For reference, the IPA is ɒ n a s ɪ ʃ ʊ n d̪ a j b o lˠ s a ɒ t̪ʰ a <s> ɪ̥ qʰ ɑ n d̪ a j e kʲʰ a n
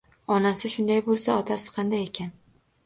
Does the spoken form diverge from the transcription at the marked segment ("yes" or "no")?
no